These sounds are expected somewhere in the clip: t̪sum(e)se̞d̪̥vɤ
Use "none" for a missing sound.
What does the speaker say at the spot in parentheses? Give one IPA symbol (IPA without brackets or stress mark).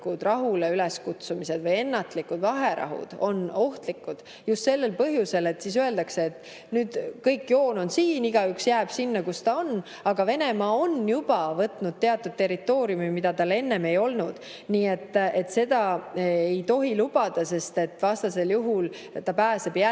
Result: i